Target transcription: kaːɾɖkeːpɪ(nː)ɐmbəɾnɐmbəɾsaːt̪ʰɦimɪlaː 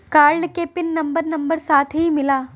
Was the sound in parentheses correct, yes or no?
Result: yes